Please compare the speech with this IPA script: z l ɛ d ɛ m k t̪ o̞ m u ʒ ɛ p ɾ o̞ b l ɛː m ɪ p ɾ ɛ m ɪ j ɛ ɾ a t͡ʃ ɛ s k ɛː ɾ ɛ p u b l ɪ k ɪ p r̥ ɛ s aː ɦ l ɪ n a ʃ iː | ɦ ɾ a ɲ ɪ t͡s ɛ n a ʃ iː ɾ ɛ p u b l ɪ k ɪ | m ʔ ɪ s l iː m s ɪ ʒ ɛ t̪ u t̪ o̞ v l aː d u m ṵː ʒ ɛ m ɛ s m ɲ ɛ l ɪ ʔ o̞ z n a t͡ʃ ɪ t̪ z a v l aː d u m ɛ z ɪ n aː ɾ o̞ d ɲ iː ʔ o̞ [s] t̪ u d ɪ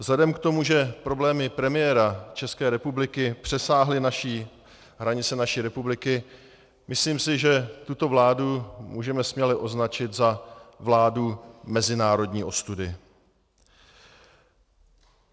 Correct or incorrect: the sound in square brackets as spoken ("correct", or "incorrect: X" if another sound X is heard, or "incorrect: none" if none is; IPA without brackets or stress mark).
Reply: correct